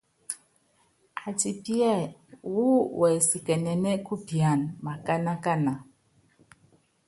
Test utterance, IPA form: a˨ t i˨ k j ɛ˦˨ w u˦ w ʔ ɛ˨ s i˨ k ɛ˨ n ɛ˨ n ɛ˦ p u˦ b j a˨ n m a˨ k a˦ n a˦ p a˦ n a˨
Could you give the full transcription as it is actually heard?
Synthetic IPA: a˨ t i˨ p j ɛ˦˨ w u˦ w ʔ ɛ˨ s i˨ k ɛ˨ n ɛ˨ n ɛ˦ k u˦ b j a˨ n m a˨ k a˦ n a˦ k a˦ n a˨